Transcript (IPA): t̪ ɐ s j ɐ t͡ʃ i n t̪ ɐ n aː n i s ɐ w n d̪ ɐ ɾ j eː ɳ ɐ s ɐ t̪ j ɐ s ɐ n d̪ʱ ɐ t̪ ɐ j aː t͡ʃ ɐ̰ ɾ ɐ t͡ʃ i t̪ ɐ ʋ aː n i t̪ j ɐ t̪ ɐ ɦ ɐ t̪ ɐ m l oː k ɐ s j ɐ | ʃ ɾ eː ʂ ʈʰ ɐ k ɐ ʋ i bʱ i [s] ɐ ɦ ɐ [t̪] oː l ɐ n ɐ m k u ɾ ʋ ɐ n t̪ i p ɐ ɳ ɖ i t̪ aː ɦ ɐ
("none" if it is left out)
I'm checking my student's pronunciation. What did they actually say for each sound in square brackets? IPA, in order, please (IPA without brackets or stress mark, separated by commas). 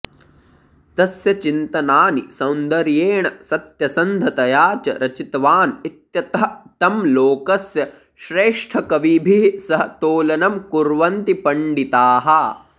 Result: s, t̪